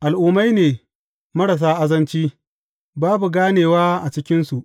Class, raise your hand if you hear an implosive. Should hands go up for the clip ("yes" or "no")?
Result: no